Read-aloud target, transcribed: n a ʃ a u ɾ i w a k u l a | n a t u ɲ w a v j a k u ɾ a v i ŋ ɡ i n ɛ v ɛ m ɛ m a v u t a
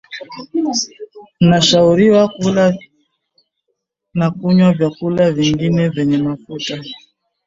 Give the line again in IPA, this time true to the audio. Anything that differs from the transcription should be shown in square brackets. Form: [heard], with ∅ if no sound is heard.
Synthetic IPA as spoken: n a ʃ a u ɾ i w a k u l a | n a [k] u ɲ w a v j a k u [l] a v i ŋ ɡ i n ɛ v ɛ [ɲ] ɛ m a [f] u t a